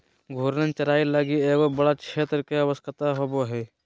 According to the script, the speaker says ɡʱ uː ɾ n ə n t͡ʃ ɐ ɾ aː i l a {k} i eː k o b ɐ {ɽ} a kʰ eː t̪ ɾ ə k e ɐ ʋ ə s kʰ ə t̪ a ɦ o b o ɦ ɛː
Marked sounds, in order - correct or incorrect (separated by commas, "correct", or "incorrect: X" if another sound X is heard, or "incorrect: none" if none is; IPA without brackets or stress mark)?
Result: incorrect: ɡ, correct